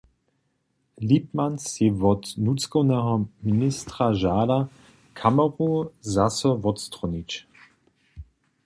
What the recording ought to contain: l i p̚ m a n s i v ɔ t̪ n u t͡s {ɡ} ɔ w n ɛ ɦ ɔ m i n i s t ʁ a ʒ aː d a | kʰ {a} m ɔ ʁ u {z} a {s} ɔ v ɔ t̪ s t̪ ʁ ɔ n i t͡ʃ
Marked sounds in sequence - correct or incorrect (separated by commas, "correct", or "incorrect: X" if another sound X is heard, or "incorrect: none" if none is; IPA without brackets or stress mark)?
incorrect: k, correct, correct, correct